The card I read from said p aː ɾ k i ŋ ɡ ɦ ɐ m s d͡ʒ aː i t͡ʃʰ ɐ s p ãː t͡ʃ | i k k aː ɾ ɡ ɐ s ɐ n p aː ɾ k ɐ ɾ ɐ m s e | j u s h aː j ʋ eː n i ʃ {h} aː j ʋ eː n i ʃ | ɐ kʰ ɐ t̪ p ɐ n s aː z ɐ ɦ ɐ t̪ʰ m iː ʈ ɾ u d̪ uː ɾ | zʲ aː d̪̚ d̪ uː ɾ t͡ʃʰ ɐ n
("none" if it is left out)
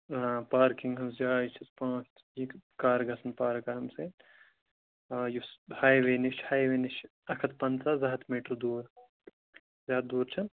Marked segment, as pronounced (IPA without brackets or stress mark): h